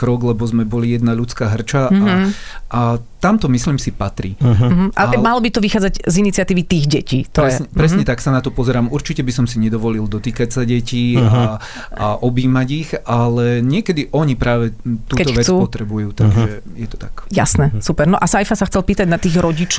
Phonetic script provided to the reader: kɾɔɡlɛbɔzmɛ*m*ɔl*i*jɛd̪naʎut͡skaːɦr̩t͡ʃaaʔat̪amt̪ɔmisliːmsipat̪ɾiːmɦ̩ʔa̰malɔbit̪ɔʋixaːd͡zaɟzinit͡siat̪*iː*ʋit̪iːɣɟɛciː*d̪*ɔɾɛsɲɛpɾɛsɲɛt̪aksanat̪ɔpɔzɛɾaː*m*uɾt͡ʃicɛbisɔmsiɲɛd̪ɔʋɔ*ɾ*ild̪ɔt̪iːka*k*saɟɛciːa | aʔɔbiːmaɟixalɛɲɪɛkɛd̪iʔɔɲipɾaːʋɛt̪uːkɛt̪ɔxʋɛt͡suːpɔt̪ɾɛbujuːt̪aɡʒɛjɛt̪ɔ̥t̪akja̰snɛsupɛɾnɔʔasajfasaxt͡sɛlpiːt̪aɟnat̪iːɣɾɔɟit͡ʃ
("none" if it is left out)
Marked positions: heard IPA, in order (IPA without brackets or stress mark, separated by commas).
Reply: b, i, iː, t̪, m, l, c